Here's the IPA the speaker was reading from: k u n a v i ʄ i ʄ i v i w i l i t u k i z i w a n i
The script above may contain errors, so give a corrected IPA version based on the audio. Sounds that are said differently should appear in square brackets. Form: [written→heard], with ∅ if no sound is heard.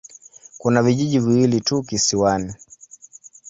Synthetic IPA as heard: k u n a v i ʄ i ʄ i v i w i l i t u k i [z→s] i w a n i